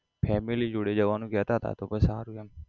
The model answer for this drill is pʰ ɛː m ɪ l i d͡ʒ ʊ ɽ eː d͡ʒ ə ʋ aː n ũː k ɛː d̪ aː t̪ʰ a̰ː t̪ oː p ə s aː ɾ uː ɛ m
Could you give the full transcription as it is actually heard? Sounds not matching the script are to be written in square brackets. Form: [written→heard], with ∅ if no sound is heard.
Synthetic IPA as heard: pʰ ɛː m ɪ l i d͡ʒ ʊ ɽ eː d͡ʒ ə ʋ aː n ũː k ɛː [d̪→t̪] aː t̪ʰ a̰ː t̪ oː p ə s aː ɾ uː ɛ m